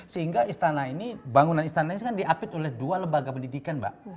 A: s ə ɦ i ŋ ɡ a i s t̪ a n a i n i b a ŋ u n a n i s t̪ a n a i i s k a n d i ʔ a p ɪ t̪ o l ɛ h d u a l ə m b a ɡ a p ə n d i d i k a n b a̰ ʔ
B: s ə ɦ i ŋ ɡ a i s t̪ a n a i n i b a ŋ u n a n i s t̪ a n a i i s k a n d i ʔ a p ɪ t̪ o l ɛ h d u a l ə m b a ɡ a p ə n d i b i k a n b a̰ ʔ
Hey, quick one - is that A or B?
A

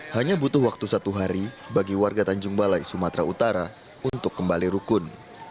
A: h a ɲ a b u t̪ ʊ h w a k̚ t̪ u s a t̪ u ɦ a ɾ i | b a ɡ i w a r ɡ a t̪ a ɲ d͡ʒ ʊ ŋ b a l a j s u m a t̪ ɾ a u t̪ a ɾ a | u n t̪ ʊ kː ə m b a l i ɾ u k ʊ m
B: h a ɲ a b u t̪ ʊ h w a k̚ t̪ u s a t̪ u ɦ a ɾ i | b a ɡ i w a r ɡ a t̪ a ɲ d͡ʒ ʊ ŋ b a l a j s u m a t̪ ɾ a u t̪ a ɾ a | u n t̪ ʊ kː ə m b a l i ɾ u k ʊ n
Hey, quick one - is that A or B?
B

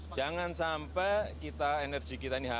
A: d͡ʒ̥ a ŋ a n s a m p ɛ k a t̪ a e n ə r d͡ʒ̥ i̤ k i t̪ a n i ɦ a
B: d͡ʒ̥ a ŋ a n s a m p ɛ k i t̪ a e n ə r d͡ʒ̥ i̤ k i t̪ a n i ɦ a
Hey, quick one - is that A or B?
B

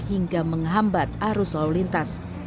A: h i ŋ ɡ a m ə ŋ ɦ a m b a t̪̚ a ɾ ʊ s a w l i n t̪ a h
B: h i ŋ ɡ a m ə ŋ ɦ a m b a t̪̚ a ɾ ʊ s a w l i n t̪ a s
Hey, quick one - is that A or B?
B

